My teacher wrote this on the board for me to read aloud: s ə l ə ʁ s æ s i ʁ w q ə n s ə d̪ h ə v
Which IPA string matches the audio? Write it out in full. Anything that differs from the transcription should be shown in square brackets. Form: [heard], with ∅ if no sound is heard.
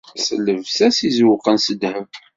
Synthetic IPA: s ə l ə [v] s æ s i [z] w q ə n s ə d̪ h ə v

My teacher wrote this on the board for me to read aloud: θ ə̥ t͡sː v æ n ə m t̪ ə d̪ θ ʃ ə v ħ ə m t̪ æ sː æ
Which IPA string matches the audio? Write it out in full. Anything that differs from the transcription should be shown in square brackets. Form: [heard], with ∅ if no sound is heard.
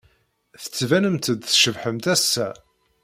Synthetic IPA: θ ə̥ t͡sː v æ n ə m t̪ ə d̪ θ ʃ ə v ħ ə m t̪ æ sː æ

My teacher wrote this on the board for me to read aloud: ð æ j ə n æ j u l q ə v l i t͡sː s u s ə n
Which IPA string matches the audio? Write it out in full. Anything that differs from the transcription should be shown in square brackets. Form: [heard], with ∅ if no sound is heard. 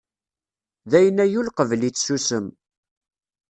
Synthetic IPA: ð æ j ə n æ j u l q ə v l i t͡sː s u s ə [m]

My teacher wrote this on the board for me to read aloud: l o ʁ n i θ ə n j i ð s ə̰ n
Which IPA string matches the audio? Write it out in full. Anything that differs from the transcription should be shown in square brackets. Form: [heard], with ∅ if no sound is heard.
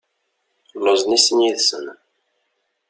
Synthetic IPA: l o [z] n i [s] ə n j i ð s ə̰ n

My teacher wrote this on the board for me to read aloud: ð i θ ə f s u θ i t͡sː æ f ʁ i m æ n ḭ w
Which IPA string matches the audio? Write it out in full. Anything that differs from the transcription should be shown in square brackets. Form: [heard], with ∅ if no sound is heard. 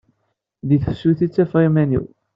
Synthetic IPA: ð i θ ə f s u θ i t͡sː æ f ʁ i m æ n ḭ w

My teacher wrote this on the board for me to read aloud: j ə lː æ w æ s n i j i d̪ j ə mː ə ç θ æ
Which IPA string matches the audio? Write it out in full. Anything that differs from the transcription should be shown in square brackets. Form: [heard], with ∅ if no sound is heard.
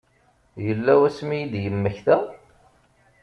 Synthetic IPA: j ə lː æ w æ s [m] i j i d̪ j ə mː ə ç θ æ

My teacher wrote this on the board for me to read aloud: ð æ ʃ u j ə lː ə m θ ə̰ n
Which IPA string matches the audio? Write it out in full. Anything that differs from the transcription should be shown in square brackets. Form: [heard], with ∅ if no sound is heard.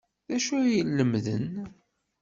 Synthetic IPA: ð æ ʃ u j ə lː ə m [ð] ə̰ n

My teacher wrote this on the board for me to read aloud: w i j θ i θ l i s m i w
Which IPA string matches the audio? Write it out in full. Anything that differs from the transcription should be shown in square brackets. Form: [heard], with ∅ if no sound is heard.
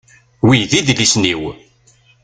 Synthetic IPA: w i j [ð] i [ð] l i s [n] i w

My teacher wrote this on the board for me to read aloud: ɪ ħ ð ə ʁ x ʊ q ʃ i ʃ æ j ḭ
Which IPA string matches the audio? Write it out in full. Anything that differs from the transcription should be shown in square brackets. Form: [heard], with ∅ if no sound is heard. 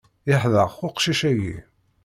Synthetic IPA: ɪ ħ ð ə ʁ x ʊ q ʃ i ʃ æ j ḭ

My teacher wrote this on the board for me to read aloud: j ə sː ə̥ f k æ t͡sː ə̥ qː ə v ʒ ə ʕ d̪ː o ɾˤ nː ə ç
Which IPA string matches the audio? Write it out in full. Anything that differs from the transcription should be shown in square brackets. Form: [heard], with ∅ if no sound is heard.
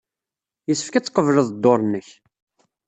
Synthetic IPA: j ə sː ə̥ f k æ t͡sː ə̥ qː ə v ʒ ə [ð] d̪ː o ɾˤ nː ə ç

